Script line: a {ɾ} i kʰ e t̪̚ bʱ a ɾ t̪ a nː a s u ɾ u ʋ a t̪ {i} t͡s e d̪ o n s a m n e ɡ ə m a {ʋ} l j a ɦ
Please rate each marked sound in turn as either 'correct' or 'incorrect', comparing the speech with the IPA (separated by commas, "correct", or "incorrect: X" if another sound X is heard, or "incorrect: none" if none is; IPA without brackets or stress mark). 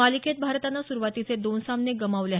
incorrect: l, correct, correct